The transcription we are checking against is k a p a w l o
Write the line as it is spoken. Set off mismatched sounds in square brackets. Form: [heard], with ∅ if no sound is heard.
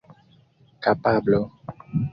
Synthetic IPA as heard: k a p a [b] l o